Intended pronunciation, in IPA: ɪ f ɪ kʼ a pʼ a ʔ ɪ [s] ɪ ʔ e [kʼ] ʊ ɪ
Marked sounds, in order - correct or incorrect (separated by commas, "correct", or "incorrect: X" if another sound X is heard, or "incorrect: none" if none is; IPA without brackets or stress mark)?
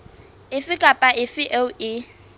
incorrect: f, incorrect: none